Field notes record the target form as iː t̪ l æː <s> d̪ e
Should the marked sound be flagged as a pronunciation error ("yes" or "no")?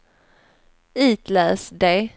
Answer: no